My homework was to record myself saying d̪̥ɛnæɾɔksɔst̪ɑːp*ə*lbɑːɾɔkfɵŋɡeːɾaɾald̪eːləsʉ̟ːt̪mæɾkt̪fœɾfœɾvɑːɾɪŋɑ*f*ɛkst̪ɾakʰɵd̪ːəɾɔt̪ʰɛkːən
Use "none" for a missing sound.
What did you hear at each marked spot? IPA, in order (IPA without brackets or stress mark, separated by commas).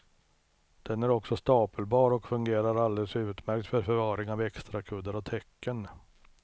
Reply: ə, v